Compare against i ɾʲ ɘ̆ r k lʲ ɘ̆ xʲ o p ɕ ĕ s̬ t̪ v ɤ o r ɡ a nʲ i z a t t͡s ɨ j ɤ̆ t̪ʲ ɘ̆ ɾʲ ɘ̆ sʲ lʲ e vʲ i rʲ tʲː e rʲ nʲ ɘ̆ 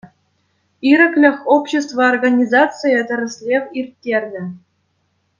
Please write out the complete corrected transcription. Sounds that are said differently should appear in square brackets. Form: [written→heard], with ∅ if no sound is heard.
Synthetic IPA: i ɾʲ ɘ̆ [r→∅] k lʲ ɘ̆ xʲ o p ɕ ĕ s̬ t̪ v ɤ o r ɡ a nʲ i z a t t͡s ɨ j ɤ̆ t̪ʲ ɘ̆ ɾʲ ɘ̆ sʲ lʲ e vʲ i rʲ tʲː e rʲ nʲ ɘ̆